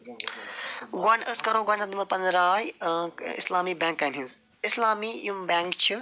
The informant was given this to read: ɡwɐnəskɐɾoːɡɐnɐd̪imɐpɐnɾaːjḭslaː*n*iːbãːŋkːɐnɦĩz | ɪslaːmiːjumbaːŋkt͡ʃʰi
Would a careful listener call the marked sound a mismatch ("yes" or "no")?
yes